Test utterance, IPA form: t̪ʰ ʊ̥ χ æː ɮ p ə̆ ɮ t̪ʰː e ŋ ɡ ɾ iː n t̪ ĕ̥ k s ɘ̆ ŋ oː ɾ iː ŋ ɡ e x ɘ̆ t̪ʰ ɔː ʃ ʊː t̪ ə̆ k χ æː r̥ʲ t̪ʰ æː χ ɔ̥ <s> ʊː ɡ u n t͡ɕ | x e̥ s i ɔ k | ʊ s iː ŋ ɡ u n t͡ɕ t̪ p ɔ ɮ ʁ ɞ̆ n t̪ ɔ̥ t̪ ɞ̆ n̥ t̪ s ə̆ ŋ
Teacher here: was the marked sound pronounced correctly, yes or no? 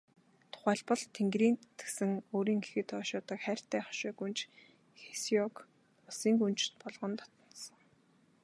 no